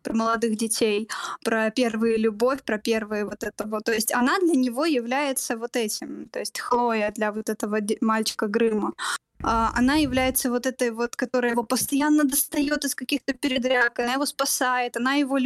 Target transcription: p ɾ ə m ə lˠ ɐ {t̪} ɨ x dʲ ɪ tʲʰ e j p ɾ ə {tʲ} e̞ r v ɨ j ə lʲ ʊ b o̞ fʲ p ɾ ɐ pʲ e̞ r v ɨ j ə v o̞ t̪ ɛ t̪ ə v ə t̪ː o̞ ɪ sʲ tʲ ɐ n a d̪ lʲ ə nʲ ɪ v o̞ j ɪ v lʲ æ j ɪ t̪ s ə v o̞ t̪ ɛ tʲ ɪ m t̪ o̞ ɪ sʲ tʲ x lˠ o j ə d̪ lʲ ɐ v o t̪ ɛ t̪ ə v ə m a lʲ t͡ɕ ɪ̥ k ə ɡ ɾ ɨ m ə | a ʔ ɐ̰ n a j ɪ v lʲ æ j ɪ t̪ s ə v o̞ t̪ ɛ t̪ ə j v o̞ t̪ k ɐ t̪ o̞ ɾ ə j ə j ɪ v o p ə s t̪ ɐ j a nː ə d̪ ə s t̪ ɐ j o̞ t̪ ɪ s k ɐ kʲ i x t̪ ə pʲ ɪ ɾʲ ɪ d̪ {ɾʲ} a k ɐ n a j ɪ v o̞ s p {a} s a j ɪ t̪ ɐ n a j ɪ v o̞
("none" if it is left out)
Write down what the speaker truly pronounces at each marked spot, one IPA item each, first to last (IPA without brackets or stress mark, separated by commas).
d̪, pʲ, ɾʲ, ɐ